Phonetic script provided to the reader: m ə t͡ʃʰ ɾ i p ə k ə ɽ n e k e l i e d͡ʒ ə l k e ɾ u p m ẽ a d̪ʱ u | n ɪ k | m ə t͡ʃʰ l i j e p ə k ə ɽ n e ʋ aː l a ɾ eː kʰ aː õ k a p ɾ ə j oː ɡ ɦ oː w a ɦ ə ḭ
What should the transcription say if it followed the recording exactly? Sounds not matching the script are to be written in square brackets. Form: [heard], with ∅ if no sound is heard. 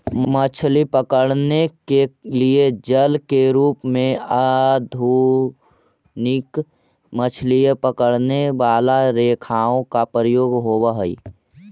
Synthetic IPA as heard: m ə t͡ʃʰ [l] i p ə k ə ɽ n e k e l i e d͡ʒ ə l k e ɾ [uː] p m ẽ a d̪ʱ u | n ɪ k | m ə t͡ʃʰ l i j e p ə k ə ɽ n e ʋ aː l a ɾ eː kʰ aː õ k a p ɾ ə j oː ɡ ɦ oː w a ɦ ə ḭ